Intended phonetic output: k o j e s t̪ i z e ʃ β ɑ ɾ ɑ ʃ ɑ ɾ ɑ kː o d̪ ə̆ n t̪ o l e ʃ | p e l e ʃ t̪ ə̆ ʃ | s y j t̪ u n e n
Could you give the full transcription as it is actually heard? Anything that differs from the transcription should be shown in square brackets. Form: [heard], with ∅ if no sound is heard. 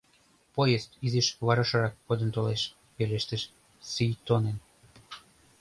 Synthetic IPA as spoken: [p] o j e s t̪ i z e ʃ β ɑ ɾ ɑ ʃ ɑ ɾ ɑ kː o d̪ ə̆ n t̪ o l e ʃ | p e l e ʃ t̪ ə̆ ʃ | s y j t̪ [o] n e n